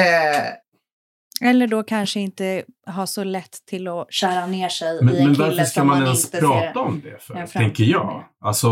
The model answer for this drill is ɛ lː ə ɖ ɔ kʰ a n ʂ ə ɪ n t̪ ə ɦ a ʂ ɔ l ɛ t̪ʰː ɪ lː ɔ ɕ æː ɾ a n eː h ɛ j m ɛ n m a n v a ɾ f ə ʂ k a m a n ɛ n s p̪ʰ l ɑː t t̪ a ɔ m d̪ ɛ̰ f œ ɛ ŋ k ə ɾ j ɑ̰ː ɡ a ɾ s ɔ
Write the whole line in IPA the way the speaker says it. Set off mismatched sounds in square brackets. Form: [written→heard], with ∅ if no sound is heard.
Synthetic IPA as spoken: ɛ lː ə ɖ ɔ kʰ a n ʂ ə ɪ n t̪ ə ɦ a ʂ ɔ l ɛ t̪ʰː ɪ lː ɔ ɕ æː ɾ a n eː [h→ʂ] ɛ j m ɛ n m [a→ɛ] n v a ɾ f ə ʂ k a m a n ɛ n s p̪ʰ [l→ɾ] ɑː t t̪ a ɔ m d̪ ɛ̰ f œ ɛ ŋ k ə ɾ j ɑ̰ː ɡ a [ɾ→l] s ɔ